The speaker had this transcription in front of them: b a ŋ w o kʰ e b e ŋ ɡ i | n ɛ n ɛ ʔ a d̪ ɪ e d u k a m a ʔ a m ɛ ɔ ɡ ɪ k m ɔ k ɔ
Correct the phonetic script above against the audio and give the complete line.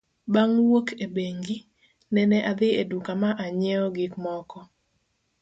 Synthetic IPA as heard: b a ŋ w o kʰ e b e ŋ ɡ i | n ɛ n ɛ ʔ a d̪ ɪ e d u k a m a ʔ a ɲ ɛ ɔ ɡ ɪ k m ɔ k ɔ